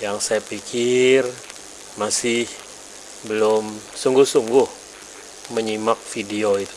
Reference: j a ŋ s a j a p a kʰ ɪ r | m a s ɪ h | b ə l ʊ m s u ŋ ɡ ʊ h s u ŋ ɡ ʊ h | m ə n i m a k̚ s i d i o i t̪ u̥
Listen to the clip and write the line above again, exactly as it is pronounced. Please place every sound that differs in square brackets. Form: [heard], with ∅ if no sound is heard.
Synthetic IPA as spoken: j a ŋ s a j a p [i] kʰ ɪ r | m a s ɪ h | b ə l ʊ m s u ŋ ɡ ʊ h s u ŋ ɡ ʊ h | m ə [ɲ] i m a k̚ [f] i d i o i t̪ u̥